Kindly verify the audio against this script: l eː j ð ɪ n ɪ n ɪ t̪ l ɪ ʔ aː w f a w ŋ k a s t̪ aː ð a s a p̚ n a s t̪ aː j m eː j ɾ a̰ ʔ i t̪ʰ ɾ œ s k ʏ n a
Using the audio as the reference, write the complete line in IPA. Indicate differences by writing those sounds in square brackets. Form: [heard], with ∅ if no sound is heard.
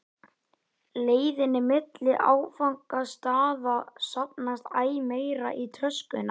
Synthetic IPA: l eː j ð ɪ n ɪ [m] ɪ t̪ l ɪ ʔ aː w f a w ŋ k a s t̪ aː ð a s a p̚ n a s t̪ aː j m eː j ɾ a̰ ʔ i t̪ʰ ɾ œ s k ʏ n a